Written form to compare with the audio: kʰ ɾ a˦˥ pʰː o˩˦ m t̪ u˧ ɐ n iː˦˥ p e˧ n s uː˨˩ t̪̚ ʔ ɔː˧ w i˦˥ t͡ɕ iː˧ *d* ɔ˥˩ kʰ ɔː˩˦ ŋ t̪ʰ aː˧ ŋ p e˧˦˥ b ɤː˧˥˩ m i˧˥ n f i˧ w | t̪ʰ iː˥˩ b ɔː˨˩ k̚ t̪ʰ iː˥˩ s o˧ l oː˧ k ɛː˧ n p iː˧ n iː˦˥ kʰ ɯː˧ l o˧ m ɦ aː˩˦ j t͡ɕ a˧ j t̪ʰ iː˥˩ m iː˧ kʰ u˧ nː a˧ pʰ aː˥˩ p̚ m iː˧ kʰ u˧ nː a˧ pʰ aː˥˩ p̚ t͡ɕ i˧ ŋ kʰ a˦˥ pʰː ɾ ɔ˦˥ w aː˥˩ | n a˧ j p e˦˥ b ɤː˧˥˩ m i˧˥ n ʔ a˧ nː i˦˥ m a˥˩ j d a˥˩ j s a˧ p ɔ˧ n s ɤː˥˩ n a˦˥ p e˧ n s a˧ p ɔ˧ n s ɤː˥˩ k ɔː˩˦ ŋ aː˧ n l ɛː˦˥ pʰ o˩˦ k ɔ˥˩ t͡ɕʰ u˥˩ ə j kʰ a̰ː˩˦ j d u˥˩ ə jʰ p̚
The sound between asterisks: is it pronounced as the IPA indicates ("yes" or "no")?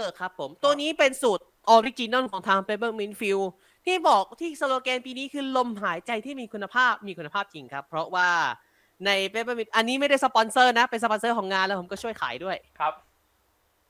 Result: no